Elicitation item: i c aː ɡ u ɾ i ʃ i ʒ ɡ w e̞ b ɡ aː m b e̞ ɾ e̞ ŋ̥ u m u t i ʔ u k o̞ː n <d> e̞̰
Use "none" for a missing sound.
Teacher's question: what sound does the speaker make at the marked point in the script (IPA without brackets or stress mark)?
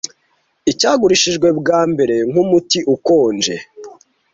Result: d͡ʒ